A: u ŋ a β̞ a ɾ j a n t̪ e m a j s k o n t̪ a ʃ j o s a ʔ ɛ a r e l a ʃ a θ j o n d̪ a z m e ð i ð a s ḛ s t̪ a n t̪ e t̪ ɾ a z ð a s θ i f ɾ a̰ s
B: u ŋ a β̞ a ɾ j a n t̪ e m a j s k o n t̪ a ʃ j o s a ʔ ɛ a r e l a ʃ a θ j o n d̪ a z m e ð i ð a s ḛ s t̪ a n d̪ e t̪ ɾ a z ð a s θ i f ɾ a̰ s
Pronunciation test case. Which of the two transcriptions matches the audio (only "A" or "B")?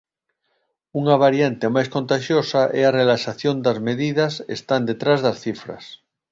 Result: B